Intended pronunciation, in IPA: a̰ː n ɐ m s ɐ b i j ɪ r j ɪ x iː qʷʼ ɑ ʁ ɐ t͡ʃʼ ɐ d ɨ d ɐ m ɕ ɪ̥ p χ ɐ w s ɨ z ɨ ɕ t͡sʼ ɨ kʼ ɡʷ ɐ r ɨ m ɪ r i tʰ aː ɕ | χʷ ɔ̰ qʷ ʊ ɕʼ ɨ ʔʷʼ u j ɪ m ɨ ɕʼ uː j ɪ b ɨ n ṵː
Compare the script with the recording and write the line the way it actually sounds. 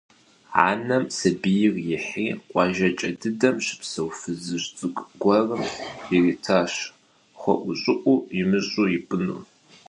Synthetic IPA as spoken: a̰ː n ɐ m s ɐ b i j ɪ r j ɪ ħ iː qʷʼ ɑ ʒ ɐ t͡ʃʼ ɐ d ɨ d ɐ m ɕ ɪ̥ p s ɐ w f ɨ z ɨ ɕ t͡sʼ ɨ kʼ ɡʷ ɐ r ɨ m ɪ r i tʰ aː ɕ | χʷ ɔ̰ ʔʷ ʊ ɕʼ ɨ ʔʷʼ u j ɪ m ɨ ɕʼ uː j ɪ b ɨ n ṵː